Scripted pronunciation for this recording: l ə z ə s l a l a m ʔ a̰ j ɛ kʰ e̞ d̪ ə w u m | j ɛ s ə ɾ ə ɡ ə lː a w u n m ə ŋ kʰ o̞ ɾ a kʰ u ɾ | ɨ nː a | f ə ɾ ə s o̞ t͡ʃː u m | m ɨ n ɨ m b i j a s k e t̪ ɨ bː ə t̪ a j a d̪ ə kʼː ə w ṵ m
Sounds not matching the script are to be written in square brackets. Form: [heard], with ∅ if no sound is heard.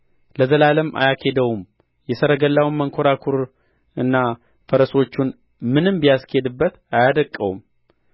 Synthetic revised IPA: l ə z ə [∅] l a l [ə] m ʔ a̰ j [a] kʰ e̞ d̪ ə w u m | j ɛ s ə ɾ ə ɡ ə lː a w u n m ə ŋ kʰ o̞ ɾ a kʰ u ɾ | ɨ nː a | f ə ɾ ə s o̞ t͡ʃː u [n] | m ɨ n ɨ m b i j a s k e [d̪] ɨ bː ə t̪ a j a d̪ ə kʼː ə w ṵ m